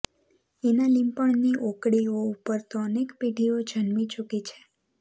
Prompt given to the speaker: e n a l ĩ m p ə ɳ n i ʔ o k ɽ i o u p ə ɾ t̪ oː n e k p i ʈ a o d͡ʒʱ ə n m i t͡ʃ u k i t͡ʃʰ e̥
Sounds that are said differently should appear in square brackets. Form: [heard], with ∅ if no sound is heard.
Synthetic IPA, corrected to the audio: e n a l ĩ m p ə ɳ n i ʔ o k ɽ i o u p ə ɾ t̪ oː n e k p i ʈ [i] o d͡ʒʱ ə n m i t͡ʃ u k i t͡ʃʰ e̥